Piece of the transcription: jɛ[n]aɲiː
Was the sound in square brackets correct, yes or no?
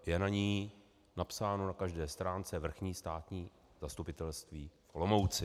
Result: yes